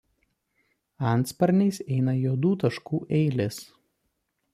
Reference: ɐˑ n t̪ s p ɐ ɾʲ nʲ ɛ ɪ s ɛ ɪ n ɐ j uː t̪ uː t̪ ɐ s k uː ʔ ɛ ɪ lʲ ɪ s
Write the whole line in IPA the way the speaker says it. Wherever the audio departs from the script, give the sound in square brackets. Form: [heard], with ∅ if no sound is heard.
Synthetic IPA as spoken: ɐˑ n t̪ s p ɐ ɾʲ nʲ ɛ ɪ s ɛ ɪ n ɐ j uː [d̪] uː t̪ ɐ [ʃ] k uː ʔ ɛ ɪ lʲ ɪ s